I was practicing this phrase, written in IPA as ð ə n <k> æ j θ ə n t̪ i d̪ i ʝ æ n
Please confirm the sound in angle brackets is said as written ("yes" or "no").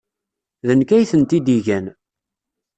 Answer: yes